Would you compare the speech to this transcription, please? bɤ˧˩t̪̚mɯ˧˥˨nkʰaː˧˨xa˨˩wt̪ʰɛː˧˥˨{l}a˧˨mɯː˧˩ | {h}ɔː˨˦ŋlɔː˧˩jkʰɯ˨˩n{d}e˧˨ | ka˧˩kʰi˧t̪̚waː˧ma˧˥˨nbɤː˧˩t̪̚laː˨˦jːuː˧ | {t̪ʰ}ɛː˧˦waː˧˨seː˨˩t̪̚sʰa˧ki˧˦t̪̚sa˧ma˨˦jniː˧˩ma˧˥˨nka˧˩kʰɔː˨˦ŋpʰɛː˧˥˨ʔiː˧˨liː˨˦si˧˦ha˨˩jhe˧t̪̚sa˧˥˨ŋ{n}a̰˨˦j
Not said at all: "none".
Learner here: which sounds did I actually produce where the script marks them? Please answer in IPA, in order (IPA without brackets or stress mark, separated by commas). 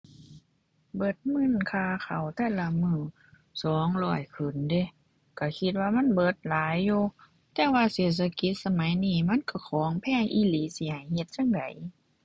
l, s, d, t̪, d